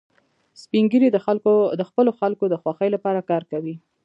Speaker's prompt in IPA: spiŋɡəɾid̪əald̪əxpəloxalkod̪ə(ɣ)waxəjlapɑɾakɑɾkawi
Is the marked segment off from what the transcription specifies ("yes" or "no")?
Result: yes